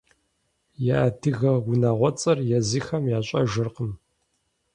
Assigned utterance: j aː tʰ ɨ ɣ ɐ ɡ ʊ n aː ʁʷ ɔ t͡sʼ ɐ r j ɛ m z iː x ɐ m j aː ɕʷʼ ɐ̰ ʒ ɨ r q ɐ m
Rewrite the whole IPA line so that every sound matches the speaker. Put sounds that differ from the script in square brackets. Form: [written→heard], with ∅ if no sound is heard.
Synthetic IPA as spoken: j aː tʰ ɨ ɣ ɐ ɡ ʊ n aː ʁʷ ɔ t͡sʼ ɐ r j ɛ [m→∅] z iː x ɐ m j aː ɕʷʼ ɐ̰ ʒ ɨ r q [ɐ→ə] m

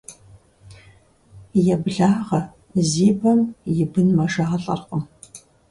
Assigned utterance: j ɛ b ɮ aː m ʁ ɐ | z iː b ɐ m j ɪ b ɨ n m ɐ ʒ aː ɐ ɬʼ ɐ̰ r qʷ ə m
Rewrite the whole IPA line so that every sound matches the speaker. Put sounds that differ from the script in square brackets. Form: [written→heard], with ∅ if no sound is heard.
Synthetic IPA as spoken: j ɛ b ɮ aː [m→∅] ʁ ɐ | z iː b ɐ m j ɪ b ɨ n m ɐ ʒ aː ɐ ɬʼ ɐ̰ r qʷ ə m

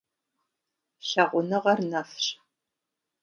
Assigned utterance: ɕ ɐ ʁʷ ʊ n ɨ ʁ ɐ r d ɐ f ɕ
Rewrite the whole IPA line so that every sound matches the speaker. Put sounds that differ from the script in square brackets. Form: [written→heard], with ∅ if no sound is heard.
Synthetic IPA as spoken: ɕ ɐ ʁʷ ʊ n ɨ ʁ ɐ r [d→n] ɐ f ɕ

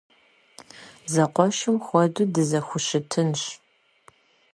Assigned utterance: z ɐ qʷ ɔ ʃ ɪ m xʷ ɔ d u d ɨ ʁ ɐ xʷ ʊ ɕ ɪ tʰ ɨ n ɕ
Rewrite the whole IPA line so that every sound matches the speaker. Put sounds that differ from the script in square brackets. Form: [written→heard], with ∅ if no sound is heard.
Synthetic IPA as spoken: z ɐ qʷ ɔ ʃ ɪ m xʷ ɔ d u d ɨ [ʁ→z] ɐ xʷ ʊ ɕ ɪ tʰ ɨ n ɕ

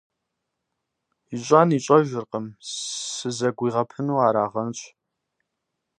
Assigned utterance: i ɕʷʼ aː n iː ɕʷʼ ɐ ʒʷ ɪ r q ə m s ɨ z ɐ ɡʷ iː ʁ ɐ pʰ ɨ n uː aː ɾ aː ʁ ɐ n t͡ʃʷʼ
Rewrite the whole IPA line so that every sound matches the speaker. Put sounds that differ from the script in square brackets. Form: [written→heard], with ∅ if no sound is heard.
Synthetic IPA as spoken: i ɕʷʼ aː n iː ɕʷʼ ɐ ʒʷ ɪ r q ə m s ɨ z ɐ ɡʷ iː ʁ ɐ pʰ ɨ n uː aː ɾ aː ʁ ɐ n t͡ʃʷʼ

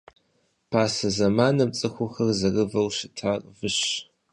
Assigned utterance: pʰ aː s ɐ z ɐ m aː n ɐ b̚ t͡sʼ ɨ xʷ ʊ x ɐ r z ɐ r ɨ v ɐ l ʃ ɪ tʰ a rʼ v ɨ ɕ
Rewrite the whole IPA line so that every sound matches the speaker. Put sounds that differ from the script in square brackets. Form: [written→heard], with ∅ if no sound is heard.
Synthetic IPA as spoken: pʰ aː s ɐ z ɐ m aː n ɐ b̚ t͡sʼ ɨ xʷ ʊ x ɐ r z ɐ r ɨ v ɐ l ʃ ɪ tʰ a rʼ v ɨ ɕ

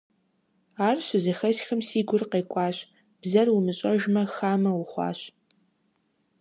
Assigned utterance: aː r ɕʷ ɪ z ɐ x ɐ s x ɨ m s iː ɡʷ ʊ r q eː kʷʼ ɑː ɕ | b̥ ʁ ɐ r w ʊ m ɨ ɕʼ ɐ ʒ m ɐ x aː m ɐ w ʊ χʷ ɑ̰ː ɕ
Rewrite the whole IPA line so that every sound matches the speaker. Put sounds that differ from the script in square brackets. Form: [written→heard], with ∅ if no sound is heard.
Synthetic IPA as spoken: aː r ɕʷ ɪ z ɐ x ɐ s x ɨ m s iː ɡʷ ʊ r q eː kʷʼ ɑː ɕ | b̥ [ʁ→z] ɐ r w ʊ m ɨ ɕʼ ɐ ʒ m ɐ x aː m ɐ w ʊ χʷ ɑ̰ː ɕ

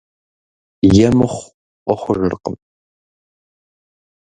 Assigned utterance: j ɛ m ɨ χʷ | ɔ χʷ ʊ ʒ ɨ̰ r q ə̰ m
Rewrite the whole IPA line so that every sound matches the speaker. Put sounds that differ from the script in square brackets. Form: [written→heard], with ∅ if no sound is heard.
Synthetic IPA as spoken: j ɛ m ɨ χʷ | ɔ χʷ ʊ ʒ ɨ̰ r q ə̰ m

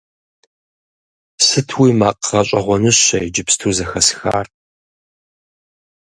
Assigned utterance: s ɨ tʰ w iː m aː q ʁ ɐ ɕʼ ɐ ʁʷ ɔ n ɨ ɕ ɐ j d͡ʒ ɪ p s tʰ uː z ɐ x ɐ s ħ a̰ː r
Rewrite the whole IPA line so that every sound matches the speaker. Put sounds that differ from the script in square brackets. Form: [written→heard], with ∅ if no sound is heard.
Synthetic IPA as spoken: s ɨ tʰ w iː m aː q ʁ ɐ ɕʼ ɐ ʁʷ ɔ n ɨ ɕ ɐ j d͡ʒ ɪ p s tʰ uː z ɐ x ɐ s [ħ→x] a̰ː r

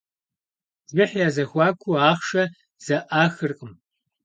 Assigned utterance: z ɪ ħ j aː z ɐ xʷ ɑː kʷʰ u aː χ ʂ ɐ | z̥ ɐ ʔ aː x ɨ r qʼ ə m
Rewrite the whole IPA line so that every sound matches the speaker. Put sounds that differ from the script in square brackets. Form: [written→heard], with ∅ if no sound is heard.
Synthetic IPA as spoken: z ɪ ħ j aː z ɐ xʷ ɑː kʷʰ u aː χ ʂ ɐ | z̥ ɐ ʔ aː x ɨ r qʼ ə m

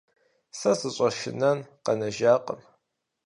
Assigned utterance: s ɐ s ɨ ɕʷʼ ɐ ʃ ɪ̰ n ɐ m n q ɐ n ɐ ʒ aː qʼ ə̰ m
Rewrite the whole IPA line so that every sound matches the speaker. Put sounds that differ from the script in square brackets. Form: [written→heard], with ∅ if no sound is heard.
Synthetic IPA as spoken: s ɐ s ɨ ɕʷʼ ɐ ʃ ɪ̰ n ɐ [m→∅] n q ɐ n ɐ ʒ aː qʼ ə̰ m

